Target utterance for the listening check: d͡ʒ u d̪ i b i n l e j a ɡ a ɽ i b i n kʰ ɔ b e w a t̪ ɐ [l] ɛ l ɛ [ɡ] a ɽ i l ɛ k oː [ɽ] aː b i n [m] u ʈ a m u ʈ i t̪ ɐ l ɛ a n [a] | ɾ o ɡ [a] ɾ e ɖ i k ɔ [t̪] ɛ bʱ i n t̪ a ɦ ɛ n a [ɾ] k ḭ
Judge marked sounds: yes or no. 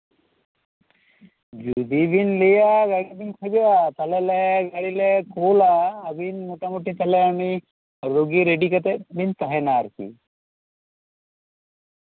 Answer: yes, yes, no, yes, no, no, yes, yes

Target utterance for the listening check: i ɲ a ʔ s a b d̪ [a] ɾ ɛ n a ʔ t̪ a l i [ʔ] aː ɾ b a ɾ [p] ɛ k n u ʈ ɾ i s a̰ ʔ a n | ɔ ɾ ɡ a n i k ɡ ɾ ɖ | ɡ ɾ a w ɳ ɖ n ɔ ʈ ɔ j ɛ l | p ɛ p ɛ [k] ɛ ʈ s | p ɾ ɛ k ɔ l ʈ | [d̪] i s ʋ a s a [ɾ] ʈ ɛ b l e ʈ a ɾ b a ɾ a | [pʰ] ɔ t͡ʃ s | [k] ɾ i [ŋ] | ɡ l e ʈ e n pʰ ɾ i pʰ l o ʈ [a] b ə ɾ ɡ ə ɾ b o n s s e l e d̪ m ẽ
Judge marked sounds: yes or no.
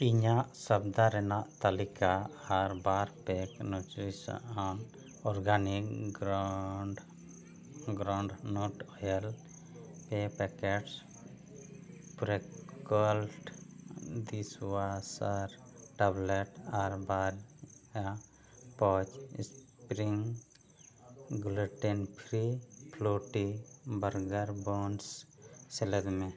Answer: yes, no, yes, yes, yes, yes, no, no, yes, no

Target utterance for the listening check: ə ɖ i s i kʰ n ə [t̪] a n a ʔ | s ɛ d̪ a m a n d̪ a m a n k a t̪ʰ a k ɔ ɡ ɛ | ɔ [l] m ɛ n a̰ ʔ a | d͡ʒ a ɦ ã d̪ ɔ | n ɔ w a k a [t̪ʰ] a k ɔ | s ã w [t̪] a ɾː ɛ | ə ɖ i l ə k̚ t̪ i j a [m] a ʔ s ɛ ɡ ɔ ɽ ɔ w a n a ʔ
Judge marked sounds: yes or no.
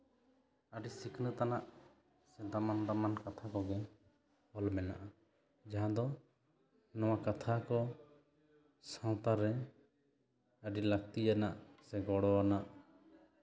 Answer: yes, yes, yes, yes, no

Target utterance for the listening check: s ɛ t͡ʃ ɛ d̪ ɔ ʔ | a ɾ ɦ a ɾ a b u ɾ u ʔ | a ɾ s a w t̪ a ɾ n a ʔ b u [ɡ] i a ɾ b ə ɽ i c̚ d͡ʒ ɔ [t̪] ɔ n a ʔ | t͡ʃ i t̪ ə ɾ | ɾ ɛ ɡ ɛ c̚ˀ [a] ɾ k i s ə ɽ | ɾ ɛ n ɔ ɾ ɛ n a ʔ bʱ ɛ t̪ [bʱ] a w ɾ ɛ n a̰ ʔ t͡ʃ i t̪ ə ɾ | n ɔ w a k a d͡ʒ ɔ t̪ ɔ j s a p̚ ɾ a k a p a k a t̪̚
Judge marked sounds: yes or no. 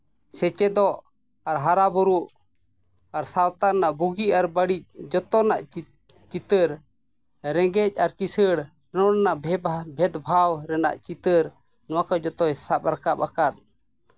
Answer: yes, yes, yes, yes

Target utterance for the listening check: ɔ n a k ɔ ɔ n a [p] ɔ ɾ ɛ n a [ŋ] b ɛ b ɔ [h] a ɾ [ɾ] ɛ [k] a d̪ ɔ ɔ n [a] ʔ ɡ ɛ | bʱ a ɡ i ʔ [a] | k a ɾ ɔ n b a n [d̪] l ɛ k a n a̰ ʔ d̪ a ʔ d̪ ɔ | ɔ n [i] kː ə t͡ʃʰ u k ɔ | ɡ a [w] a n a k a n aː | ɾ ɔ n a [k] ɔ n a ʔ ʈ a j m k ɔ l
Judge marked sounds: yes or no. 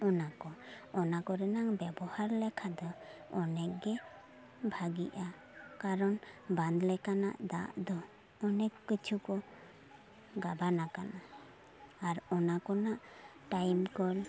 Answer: no, yes, yes, no, no, no, yes, yes, no, no, yes

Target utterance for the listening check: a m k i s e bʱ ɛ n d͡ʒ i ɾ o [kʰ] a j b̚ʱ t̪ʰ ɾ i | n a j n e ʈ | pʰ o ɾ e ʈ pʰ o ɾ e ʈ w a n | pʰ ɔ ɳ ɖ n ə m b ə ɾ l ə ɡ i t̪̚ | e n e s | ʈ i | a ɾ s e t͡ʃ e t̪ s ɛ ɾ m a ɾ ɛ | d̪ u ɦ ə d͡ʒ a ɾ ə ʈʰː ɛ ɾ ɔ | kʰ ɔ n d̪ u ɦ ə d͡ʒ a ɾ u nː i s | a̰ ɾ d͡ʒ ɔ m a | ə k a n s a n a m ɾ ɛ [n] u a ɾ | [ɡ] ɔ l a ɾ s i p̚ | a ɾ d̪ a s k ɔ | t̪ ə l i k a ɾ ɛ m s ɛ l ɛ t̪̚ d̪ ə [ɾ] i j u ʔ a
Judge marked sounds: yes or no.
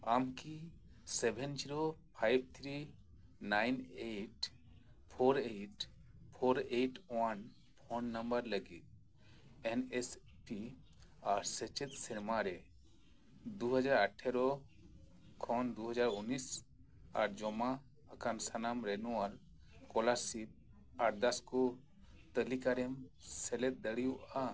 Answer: no, yes, no, no

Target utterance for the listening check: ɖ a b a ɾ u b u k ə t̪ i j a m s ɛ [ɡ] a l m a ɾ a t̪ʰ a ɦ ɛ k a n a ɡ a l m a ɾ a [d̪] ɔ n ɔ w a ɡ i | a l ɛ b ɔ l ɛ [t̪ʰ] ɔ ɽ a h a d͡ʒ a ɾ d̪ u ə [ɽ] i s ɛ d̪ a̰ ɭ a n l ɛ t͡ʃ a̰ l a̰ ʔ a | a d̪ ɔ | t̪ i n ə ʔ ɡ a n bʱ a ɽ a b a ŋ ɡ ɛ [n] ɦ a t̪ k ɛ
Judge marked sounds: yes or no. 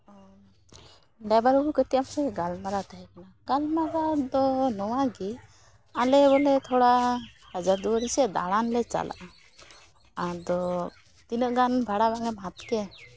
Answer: yes, yes, yes, no, no

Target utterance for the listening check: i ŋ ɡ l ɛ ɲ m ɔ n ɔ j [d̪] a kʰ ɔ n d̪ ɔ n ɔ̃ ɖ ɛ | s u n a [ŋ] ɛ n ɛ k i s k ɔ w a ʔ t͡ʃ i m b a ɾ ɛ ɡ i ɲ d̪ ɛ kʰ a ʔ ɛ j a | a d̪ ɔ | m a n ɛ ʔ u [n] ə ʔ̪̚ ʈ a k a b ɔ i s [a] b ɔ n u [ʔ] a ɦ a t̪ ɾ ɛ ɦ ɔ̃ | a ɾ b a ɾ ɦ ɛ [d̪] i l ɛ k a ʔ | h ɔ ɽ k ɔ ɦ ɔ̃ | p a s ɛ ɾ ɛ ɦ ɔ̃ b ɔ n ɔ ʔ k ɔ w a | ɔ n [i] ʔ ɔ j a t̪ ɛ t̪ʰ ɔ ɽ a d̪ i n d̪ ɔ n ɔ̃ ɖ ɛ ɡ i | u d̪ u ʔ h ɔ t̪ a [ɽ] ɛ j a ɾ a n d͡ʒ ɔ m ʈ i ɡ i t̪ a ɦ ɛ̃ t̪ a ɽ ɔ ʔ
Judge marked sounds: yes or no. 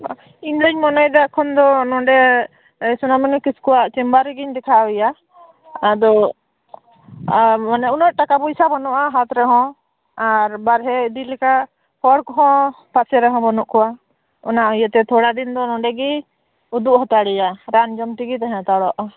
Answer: yes, no, yes, yes, yes, yes, no, yes

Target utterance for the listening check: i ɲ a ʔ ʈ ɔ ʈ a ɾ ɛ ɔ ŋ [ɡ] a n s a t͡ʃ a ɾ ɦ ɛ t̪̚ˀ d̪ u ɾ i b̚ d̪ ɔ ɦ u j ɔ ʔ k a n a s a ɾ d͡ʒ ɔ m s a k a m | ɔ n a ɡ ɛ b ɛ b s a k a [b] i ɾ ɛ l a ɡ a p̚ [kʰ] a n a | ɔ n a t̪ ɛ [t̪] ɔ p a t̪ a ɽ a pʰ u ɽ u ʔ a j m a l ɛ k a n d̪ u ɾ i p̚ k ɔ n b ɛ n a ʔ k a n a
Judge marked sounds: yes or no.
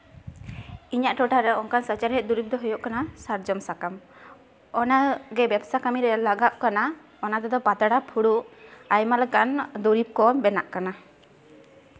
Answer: no, no, no, no

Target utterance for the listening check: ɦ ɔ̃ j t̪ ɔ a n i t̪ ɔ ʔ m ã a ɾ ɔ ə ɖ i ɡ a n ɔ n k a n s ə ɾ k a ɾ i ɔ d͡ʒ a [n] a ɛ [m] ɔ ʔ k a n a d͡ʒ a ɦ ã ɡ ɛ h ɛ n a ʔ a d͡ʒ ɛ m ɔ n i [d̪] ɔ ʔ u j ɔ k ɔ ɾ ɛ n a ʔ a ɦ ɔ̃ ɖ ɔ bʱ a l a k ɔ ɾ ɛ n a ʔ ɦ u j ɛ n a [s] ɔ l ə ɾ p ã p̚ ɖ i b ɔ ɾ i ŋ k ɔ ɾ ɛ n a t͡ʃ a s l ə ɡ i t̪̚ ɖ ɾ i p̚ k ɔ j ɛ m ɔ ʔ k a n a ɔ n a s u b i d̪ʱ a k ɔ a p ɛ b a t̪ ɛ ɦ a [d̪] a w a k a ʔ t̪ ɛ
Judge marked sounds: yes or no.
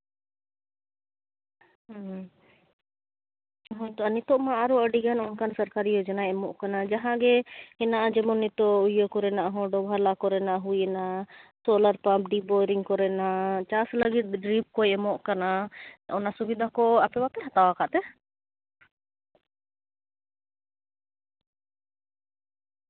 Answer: yes, yes, no, yes, no

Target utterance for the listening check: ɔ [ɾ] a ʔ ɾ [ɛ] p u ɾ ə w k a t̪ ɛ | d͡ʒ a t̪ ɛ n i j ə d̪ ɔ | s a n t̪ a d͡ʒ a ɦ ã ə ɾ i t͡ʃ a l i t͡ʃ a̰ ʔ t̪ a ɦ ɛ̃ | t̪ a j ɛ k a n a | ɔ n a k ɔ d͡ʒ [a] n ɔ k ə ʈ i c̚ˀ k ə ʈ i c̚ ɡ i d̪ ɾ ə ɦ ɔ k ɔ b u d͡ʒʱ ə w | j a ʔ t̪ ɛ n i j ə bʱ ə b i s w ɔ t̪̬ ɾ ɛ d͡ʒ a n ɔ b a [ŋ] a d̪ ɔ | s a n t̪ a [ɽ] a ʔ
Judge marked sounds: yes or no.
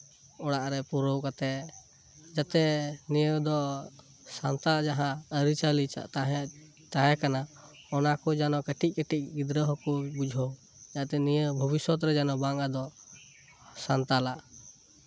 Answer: no, yes, yes, yes, no

